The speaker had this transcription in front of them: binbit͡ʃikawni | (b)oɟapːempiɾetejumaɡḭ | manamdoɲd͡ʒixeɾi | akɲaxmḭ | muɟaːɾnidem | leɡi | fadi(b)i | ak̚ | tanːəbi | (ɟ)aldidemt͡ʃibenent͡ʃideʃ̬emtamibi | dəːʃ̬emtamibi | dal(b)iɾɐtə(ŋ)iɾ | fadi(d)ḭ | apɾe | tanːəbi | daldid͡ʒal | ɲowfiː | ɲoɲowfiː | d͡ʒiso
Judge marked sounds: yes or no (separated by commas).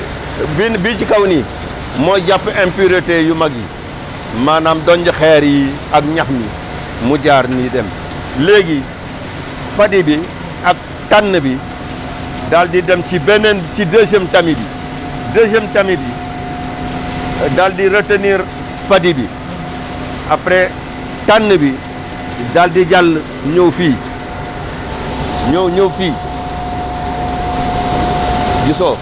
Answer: no, yes, no, no, no, no